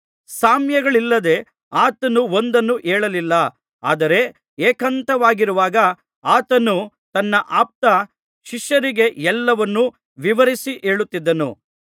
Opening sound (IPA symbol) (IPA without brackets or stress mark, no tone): s